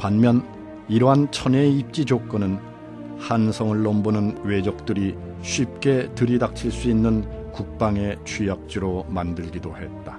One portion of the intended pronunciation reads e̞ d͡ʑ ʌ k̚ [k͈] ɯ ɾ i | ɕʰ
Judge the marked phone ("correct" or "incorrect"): incorrect